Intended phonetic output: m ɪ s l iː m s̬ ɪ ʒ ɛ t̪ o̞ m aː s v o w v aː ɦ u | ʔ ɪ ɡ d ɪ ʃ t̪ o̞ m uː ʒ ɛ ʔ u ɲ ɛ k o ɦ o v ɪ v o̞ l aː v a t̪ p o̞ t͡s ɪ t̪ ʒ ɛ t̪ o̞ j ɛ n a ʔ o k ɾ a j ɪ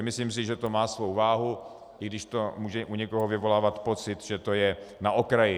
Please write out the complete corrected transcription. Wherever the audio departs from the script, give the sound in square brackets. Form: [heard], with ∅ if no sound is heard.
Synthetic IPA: m ɪ s l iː m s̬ ɪ ʒ ɛ t̪ o̞ m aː s v o w v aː ɦ u | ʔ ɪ ɡ d ɪ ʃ t̪ o̞ m uː ʒ ɛ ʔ u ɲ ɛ k o ɦ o v ɪ v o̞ l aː v a t̪ p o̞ t͡s ɪ t̪ ʒ ɛ t̪ o̞ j ɛ n a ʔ o k ɾ a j ɪ